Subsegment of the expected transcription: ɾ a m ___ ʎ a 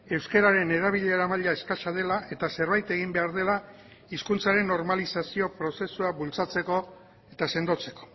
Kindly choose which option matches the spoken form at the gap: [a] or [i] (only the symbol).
a